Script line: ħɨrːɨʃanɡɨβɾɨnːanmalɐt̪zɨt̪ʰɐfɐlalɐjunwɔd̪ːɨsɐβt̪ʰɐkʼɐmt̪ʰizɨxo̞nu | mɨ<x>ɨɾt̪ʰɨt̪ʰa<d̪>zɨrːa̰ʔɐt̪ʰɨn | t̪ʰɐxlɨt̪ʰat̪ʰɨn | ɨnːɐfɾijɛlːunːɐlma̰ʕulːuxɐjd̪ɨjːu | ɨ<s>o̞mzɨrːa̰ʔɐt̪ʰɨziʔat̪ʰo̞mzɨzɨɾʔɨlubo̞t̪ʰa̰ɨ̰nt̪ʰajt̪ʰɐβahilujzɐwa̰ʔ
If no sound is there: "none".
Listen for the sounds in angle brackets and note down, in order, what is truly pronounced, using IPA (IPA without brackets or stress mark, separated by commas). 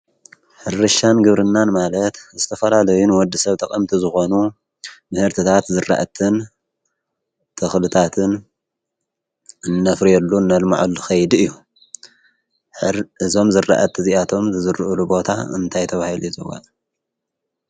h, t̪, z